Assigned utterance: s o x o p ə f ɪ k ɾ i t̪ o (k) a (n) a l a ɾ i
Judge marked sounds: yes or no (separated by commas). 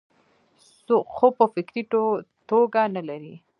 no, yes